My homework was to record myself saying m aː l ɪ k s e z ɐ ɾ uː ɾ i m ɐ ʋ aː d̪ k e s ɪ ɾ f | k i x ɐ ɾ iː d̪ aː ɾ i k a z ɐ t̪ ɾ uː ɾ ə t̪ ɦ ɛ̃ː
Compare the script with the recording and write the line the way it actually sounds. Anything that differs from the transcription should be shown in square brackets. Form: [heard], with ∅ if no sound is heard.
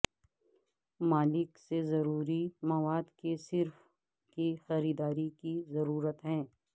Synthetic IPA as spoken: m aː l ɪ k s e z ɐ ɾ uː ɾ i m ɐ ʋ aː d̪ k e s ɪ ɾ f | k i x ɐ ɾ iː d̪ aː ɾ i k [i] z ɐ [∅] ɾ uː ɾ ə t̪ ɦ ɛ̃ː